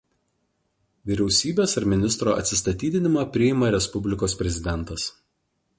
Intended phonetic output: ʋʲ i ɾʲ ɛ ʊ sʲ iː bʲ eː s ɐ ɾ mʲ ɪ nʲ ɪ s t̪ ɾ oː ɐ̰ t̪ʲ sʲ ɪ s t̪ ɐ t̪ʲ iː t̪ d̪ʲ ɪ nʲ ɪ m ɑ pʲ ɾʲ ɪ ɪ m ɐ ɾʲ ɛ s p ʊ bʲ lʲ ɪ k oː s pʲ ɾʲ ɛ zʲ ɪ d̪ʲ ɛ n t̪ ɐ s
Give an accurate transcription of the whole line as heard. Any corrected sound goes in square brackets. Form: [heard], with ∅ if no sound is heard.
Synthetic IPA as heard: ʋʲ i ɾʲ ɛ ʊ sʲ iː bʲ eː s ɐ ɾ mʲ ɪ nʲ ɪ s t̪ ɾ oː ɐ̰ t̪ʲ sʲ ɪ s t̪ ɐ t̪ʲ iː [∅] d̪ʲ ɪ nʲ ɪ m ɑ pʲ ɾʲ ɪ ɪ m ɐ ɾʲ ɛ s p ʊ bʲ lʲ ɪ k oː s pʲ ɾʲ ɛ zʲ ɪ d̪ʲ ɛ n t̪ ɐ s